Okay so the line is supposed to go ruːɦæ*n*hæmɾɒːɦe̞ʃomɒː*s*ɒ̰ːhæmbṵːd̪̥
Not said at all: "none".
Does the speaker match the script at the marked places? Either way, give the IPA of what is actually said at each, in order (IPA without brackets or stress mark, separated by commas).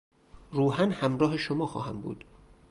n, x